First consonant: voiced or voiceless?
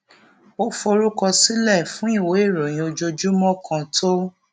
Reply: voiceless